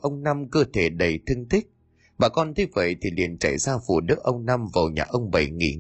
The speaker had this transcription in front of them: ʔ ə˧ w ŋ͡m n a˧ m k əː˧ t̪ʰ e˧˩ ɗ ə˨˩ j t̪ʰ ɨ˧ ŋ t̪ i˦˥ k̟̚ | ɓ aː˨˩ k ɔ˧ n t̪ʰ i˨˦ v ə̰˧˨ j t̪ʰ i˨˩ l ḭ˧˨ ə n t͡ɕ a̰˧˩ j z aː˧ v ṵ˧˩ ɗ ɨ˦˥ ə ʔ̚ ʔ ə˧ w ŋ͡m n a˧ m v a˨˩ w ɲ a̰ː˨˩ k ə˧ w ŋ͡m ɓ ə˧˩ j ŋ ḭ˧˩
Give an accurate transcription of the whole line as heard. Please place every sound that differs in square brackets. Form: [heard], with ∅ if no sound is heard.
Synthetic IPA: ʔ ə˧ w ŋ͡m n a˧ m k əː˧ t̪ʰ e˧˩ ɗ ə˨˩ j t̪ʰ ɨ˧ ŋ t̪ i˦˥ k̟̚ | ɓ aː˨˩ k ɔ˧ n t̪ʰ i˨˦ v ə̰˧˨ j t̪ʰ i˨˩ l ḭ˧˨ ə n t͡ɕ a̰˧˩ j z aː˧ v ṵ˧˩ ɗ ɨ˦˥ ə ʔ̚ ʔ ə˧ w ŋ͡m n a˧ m v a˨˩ w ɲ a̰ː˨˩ [ʔ] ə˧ w ŋ͡m ɓ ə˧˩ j ŋ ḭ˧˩